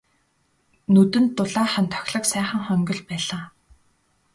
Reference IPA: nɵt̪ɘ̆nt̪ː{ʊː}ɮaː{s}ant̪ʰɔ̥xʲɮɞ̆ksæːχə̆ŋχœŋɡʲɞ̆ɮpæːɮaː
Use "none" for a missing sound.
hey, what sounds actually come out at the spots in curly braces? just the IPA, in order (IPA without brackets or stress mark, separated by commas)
ʊ, χ